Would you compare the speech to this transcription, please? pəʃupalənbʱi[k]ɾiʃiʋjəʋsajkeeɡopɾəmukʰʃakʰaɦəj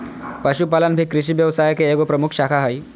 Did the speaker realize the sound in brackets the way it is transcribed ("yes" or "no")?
yes